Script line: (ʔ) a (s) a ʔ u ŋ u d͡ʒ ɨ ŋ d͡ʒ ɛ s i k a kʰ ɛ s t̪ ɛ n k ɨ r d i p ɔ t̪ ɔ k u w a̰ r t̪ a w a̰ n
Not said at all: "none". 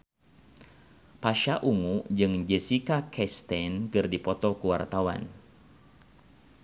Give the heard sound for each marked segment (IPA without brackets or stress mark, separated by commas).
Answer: p, ʃ